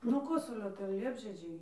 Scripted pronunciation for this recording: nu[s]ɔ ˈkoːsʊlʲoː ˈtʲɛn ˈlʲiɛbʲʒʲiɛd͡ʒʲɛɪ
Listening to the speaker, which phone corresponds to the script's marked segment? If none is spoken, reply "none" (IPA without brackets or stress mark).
none